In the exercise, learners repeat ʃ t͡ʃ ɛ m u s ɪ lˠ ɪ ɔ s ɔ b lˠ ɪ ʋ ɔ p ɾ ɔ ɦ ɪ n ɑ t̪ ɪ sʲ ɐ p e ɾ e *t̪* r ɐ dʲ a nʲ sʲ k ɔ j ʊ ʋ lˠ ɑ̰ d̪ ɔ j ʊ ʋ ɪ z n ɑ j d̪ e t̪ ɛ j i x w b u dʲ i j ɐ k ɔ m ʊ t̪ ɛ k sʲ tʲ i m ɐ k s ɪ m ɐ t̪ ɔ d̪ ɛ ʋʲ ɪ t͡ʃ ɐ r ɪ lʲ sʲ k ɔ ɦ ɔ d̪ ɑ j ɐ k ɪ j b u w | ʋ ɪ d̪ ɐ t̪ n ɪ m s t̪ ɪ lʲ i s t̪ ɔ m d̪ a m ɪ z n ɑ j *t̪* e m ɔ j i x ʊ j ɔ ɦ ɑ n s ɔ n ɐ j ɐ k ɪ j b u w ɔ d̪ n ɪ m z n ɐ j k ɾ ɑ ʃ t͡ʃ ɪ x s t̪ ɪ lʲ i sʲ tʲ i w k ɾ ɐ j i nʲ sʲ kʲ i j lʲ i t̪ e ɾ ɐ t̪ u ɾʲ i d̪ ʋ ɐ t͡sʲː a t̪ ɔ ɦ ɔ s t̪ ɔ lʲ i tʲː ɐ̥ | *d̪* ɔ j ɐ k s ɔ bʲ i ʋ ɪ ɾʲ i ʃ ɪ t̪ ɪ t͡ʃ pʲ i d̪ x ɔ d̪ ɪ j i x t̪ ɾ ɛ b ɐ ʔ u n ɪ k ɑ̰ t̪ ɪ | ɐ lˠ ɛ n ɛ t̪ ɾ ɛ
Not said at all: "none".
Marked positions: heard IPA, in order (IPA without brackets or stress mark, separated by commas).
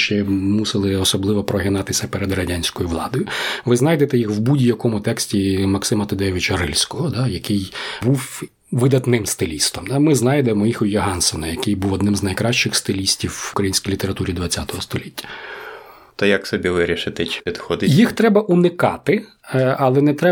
d̪, d̪, t̪